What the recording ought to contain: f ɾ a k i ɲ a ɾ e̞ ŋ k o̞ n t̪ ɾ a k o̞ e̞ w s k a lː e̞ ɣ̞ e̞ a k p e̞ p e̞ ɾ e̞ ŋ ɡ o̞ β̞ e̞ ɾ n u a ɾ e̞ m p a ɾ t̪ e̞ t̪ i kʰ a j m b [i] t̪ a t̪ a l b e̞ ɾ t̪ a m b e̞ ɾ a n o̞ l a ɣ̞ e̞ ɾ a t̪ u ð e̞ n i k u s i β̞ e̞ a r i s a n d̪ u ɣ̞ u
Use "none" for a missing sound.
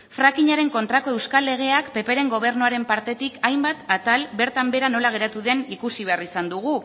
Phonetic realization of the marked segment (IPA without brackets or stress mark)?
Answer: a